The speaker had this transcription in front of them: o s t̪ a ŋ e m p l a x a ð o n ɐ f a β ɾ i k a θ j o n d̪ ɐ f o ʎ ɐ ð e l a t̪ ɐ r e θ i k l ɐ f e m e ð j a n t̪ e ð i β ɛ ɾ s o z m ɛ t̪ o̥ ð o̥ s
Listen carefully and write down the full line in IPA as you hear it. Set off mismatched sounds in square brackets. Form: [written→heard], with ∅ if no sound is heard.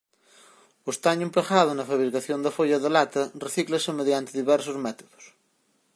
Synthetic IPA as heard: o s t̪ a [ŋ→ɲ] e m p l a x a ð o n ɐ f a β ɾ i k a θ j o n d̪ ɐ f o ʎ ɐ ð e l a t̪ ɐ r e θ i k l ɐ [f→s] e m e ð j a n t̪ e ð i β ɛ ɾ s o z m ɛ t̪ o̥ ð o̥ s